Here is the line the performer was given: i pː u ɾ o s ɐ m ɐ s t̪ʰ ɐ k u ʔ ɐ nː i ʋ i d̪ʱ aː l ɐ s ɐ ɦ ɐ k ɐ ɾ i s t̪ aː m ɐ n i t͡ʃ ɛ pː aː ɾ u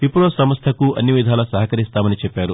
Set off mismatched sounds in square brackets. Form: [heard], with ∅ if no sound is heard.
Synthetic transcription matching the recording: i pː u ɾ o s ɐ m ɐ s t̪ʰ ɐ k u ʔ ɐ nː i ʋ i d̪ʱ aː l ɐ s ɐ ɦ ɐ k ɐ ɾ i s t̪ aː m ɐ n i t͡ʃ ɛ pː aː ɾ u